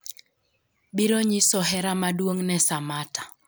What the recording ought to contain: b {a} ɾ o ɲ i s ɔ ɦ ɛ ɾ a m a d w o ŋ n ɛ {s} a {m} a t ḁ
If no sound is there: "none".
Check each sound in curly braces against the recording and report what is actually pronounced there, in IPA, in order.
i, s, m

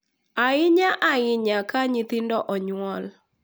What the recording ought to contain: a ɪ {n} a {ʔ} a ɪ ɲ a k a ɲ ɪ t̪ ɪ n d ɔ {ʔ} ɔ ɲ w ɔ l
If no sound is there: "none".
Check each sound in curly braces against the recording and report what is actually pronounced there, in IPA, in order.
ɲ, ʔ, ʔ

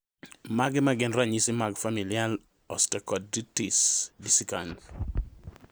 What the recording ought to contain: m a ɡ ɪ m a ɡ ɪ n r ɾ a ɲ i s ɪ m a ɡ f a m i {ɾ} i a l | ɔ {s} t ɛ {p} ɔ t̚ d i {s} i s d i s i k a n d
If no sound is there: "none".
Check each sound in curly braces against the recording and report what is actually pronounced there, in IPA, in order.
l, s, k, t

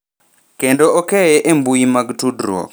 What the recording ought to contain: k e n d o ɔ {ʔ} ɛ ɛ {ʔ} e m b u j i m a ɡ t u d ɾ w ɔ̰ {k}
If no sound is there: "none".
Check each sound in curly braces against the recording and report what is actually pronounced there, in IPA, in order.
k, ʔ, k

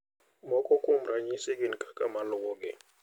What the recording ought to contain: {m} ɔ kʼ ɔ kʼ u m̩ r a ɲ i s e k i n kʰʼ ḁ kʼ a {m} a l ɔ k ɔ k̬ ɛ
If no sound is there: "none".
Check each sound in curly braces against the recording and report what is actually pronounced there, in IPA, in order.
m, m

